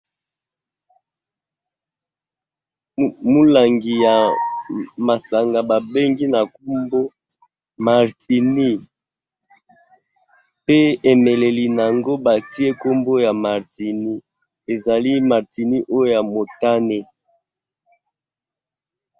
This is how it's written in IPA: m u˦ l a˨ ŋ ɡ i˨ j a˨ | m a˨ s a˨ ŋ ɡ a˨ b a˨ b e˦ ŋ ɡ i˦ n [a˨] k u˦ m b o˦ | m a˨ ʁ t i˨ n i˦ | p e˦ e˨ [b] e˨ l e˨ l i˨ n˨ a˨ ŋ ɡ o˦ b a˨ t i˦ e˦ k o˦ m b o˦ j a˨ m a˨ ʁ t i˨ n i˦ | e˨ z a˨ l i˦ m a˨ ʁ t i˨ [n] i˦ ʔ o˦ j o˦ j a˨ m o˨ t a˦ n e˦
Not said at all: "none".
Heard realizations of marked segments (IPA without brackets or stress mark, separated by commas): a˨, m, n